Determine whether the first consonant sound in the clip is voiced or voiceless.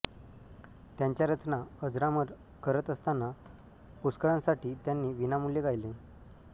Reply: voiceless